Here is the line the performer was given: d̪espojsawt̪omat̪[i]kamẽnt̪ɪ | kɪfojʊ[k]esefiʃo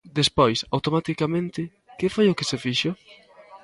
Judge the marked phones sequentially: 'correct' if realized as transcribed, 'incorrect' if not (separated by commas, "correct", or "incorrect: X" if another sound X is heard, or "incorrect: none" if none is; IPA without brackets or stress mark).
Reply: correct, correct